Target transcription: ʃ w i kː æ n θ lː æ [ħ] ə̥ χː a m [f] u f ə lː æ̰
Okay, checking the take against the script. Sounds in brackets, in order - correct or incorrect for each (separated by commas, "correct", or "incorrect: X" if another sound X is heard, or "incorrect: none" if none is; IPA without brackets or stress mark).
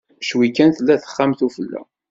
incorrect: θ, incorrect: θ